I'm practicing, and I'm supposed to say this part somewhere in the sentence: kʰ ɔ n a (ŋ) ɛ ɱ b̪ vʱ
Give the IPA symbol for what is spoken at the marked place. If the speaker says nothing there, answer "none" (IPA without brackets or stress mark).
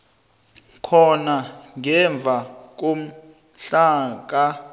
ŋ